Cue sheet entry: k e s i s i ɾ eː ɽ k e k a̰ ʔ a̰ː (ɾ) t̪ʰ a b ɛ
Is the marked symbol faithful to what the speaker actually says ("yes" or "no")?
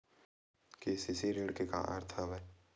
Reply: yes